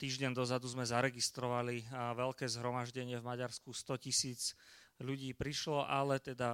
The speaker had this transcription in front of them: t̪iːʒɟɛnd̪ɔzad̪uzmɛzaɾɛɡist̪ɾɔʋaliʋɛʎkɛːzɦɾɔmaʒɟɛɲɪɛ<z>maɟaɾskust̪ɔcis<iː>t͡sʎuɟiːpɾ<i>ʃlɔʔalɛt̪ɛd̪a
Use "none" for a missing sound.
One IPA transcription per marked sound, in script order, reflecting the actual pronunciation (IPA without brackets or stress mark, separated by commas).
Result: v, iː, i